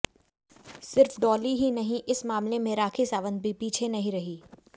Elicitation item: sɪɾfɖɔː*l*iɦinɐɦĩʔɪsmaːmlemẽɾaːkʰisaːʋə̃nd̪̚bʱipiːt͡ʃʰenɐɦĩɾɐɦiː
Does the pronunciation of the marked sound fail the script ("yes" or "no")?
no